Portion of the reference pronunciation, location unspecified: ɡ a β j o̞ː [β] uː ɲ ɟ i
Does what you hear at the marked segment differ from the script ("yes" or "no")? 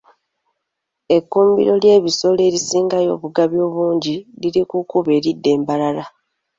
no